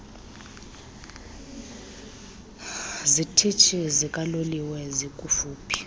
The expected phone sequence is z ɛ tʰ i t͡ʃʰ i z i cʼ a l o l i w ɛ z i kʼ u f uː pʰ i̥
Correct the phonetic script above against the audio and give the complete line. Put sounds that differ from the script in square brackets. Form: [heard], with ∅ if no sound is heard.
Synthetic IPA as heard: z [i] tʰ i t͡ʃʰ i z i [kʼ] a l o l i w ɛ z i kʼ u f uː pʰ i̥